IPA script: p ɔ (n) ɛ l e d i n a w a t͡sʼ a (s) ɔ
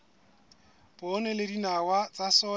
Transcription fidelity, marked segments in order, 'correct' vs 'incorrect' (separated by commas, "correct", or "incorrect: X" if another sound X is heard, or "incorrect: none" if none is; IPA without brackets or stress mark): correct, correct